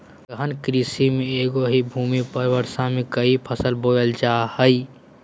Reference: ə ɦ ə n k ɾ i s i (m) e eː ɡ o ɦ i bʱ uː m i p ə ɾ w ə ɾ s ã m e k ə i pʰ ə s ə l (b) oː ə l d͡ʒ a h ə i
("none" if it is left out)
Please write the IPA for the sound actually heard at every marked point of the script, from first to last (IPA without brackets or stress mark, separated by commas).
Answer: m, b